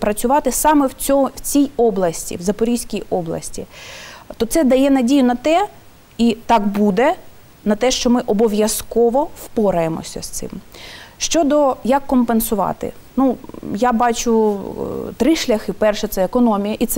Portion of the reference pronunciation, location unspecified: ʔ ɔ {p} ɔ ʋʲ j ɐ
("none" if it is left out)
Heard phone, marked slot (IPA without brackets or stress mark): b